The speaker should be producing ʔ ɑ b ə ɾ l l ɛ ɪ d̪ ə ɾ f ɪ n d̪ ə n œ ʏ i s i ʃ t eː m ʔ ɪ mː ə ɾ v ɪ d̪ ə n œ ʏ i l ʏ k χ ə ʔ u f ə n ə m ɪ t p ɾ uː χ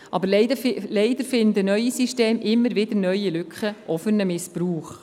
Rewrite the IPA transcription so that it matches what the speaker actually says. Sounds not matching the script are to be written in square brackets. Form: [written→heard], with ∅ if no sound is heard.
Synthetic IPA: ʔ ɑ b ə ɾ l l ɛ ɪ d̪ ə ɾ f ɪ n d̪ ə n œ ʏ i s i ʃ t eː m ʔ ɪ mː ə ɾ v ɪ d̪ ə n œ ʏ i l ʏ k χ ə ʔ [u→ɔ] f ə n ə m ɪ [t→s] p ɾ uː χ